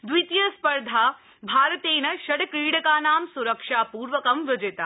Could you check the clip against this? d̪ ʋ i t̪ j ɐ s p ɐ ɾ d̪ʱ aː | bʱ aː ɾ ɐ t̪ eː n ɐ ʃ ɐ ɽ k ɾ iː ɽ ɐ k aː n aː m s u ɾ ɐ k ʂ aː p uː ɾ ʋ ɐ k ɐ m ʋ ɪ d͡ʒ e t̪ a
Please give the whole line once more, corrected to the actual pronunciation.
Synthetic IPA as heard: d̪ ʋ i t̪ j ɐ s p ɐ ɾ d̪ʱ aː | bʱ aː ɾ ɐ t̪ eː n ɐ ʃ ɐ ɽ k ɾ iː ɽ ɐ k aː n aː m s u ɾ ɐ k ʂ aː p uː ɾ ʋ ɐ k ɐ m ʋ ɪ d͡ʒ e t̪ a